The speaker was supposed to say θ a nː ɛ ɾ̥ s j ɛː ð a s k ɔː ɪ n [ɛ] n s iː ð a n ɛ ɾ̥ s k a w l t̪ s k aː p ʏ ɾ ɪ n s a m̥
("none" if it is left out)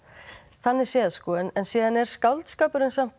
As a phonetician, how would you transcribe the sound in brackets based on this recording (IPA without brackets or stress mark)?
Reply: ɛ